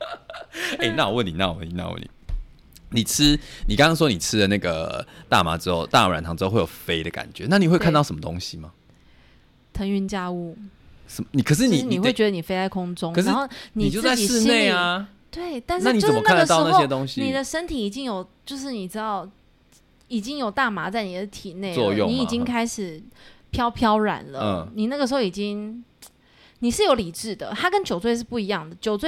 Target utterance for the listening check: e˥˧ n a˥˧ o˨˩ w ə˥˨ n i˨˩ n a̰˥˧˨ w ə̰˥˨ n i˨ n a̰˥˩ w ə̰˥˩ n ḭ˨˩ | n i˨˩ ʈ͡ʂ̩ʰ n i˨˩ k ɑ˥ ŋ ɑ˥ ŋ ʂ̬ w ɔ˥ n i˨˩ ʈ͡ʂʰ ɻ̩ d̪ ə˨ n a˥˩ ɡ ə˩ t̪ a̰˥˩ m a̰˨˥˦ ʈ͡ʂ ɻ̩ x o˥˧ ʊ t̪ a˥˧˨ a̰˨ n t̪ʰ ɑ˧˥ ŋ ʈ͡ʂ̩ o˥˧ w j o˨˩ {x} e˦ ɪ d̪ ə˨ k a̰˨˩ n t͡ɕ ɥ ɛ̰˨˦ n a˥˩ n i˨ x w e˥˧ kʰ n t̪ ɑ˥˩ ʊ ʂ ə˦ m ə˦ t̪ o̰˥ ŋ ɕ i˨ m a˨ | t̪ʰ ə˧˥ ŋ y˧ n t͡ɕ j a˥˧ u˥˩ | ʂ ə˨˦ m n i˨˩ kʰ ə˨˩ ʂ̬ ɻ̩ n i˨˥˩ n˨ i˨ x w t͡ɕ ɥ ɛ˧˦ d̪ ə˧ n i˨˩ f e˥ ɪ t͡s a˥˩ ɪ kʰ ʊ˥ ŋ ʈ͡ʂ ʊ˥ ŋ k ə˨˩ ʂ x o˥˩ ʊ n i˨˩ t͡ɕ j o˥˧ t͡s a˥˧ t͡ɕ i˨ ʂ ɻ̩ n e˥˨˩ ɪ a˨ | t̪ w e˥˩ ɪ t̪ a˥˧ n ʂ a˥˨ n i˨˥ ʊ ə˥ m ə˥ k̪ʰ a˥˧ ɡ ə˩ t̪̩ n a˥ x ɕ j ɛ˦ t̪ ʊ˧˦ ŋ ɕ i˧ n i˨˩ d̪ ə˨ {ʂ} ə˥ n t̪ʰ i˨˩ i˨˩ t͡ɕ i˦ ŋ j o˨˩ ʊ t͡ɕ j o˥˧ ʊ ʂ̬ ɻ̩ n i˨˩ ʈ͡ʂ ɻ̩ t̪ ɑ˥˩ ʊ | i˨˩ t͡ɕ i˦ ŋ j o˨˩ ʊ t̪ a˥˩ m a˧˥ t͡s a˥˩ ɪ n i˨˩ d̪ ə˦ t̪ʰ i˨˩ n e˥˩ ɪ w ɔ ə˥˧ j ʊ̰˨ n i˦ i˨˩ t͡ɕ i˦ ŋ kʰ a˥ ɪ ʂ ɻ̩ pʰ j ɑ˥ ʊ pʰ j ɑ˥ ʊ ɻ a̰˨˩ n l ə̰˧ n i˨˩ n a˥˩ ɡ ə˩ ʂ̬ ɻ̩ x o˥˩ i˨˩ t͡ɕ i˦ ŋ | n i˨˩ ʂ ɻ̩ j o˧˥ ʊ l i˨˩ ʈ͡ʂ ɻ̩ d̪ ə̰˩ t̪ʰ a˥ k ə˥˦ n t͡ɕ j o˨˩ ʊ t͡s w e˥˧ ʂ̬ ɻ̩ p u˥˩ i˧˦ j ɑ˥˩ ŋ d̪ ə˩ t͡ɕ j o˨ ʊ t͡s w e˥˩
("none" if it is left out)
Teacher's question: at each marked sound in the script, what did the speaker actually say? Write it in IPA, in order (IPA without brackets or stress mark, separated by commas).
f, ʂ